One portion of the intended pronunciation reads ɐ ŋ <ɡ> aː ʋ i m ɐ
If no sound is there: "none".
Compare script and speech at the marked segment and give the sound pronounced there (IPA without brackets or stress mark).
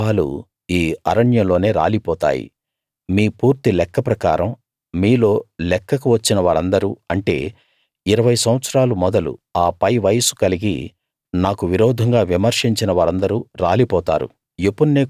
ɡ